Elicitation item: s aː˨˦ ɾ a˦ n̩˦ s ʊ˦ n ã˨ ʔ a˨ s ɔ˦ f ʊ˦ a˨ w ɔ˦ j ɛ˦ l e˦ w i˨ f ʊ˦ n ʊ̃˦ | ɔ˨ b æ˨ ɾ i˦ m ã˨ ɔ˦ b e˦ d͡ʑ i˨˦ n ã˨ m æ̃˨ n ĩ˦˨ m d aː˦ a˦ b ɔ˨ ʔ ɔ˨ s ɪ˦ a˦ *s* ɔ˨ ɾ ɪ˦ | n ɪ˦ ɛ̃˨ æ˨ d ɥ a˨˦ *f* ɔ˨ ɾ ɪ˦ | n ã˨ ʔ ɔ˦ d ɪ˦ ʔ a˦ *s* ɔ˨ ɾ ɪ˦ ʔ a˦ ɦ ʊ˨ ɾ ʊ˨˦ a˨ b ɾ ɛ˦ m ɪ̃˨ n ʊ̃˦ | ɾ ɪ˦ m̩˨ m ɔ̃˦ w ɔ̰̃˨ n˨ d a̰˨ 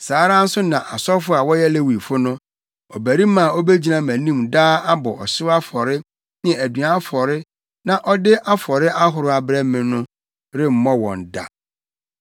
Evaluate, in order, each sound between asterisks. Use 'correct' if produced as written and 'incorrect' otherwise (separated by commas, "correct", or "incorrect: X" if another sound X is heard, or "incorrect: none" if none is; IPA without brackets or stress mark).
incorrect: f, correct, incorrect: f